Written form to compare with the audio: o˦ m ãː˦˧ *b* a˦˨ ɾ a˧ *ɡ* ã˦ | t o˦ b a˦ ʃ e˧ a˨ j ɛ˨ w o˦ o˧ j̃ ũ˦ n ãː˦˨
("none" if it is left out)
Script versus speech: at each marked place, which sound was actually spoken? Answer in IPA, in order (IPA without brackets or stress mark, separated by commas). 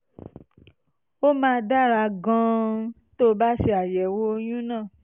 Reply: d, ɡ